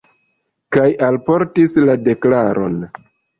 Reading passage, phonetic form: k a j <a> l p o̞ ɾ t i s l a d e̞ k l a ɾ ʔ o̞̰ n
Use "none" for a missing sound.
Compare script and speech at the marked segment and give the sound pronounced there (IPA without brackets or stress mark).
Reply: a